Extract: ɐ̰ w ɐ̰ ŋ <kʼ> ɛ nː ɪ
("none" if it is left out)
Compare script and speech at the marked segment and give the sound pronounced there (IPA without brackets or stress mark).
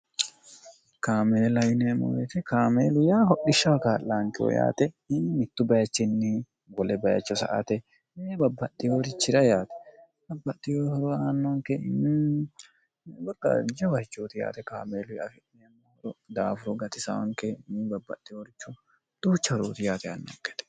k